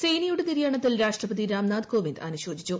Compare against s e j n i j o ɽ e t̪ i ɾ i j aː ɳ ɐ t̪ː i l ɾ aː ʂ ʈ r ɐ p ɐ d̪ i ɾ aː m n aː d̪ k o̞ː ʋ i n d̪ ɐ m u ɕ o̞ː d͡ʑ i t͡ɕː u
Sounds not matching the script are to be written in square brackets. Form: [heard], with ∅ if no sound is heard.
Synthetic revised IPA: s e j n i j [u] ɽ e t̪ i ɾ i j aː ɳ ɐ t̪ː i l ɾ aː ʂ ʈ r ɐ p ɐ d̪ i ɾ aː m n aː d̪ k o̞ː ʋ i n d̪ ɐ [n] u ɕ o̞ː d͡ʑ i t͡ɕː u